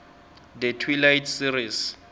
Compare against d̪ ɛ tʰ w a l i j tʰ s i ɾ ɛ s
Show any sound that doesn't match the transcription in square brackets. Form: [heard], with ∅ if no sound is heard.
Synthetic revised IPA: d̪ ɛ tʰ w [i] l [a] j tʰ s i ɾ [i] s